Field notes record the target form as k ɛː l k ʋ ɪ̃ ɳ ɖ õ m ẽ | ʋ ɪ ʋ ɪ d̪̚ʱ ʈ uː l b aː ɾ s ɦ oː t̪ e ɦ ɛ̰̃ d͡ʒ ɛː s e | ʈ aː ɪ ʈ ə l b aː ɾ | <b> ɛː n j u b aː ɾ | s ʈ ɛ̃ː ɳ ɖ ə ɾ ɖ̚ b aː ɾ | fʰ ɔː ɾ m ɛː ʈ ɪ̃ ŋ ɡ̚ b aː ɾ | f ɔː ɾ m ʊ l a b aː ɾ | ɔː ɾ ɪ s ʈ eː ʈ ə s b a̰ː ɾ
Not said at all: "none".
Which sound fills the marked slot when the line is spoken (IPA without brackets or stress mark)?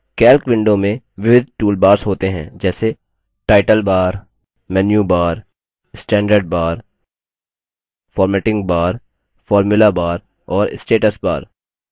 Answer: m